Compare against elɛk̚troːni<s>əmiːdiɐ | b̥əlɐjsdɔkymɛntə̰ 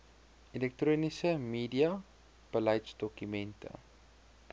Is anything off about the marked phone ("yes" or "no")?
no